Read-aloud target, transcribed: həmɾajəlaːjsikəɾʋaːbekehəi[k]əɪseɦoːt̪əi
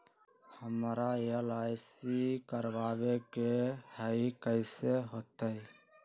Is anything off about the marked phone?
no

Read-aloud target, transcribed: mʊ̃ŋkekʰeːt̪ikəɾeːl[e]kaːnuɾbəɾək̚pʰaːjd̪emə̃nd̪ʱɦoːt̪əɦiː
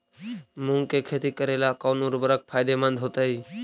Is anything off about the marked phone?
yes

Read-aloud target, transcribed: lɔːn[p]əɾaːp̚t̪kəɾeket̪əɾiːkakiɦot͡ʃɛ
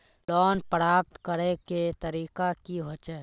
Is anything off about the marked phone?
no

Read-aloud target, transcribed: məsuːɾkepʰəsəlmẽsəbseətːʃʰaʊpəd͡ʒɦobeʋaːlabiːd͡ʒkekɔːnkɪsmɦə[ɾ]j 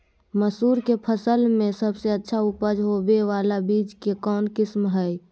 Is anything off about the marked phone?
yes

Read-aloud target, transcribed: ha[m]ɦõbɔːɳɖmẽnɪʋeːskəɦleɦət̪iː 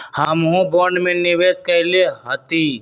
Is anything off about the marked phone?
no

